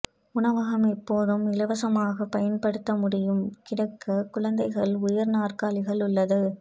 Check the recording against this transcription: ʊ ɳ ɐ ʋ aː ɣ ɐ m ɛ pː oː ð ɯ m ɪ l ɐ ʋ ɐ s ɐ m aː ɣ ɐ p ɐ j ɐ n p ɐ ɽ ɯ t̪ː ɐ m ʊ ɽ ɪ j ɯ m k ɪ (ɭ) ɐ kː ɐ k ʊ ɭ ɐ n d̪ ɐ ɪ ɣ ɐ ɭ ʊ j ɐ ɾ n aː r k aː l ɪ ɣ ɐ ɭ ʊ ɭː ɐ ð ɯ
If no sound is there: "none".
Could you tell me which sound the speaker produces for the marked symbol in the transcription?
ɽ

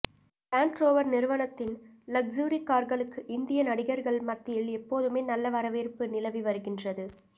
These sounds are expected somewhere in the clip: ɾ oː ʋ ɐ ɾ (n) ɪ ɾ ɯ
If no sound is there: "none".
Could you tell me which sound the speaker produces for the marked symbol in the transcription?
n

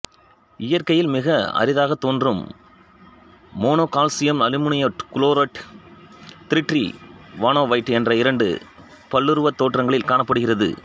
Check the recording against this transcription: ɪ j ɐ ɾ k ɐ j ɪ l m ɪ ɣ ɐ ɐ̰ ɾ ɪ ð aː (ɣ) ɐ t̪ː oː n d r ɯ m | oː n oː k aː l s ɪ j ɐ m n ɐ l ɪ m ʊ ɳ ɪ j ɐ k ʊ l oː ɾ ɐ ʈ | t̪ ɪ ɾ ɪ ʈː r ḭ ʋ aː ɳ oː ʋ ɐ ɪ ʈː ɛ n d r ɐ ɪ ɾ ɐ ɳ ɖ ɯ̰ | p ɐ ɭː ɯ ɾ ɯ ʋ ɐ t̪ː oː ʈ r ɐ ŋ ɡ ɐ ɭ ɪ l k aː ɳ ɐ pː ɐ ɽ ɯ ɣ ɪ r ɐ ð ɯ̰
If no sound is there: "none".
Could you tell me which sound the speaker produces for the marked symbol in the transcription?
ɣ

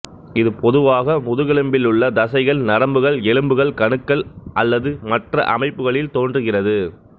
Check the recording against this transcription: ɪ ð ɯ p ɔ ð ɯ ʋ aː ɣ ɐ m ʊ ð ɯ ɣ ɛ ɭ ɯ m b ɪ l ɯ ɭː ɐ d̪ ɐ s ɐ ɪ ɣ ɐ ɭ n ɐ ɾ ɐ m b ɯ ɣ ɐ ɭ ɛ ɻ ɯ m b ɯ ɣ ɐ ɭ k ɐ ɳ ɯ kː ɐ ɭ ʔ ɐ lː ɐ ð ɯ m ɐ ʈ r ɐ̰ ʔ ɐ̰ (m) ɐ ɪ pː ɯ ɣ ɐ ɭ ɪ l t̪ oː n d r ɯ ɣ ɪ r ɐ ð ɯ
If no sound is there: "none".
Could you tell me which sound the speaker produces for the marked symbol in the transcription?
m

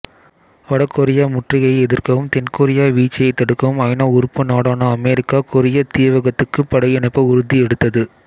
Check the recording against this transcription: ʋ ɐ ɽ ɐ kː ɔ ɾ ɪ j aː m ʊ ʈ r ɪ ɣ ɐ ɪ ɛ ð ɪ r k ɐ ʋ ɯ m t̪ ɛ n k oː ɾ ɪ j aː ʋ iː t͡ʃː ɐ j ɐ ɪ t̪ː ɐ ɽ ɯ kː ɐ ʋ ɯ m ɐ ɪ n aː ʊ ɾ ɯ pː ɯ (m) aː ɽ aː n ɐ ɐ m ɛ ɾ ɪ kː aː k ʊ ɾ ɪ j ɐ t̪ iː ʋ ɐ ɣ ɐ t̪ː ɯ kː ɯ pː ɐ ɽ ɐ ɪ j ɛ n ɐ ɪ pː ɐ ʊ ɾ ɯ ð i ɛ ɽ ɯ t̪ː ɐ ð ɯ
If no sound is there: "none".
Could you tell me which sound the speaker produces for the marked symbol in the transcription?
n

